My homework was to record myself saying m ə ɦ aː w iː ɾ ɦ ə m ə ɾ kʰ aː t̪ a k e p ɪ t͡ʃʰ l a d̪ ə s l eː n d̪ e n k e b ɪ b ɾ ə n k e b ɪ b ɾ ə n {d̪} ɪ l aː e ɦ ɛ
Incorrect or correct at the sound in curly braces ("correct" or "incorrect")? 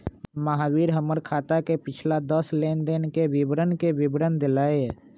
correct